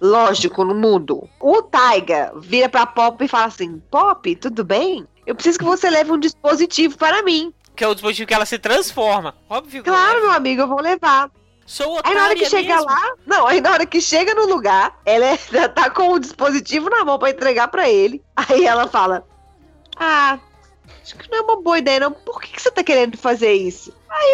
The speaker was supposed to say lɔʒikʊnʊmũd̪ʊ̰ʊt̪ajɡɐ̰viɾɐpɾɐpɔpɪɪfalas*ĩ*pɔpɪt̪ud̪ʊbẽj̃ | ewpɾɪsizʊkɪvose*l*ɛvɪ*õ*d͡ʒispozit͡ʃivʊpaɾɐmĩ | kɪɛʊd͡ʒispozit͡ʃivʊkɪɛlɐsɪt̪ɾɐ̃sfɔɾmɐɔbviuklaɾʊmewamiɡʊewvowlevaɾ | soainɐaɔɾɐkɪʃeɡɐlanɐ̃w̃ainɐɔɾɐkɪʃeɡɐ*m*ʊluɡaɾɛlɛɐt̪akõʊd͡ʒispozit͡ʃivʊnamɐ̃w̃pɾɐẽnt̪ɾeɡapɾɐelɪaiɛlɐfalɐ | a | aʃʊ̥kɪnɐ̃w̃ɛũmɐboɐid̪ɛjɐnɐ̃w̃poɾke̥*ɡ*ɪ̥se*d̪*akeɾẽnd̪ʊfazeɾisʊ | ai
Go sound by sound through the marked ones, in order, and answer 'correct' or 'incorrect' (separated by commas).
correct, correct, incorrect, incorrect, incorrect, incorrect